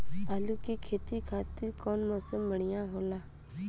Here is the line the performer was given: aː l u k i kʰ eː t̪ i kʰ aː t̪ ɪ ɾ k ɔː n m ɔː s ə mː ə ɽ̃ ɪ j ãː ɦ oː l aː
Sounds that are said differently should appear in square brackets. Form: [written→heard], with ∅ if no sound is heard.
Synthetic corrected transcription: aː l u k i kʰ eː t̪ i kʰ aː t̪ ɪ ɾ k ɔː n m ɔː s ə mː ə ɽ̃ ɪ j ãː ɦ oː l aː